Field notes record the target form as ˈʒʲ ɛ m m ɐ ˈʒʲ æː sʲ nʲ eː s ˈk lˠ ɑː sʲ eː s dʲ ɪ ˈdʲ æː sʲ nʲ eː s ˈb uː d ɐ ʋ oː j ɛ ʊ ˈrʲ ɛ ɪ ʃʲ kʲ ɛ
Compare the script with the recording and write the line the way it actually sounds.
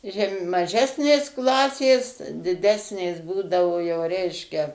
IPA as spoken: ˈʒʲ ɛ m m ɐ ˈʒʲ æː sʲ nʲ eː s ˈk lˠ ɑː sʲ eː s dʲ ɪ ˈdʲ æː sʲ nʲ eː s ˈb uː d ɐ ʋ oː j ɛ ʊ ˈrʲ ɛ ɪ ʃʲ kʲ ɛ